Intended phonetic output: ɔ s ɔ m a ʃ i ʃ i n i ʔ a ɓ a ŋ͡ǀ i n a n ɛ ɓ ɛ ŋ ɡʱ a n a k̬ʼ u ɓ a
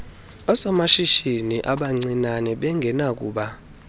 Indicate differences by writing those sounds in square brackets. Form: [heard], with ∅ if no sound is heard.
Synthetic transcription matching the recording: ɔ s ɔ m a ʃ i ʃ i n i ʔ a ɓ a ŋ͡ǀ i n a n ɛ ɓ ɛ ŋ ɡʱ [ɛ] n a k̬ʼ [uː] ɓ a